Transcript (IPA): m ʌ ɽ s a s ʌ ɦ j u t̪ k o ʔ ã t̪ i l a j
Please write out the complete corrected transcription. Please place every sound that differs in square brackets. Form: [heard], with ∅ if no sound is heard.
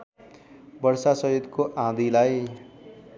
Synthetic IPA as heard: [b] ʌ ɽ s a s ʌ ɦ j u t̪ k o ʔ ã [d̪] i l a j